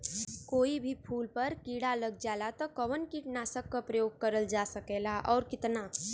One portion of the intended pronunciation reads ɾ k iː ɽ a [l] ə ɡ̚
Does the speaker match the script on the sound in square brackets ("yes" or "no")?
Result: yes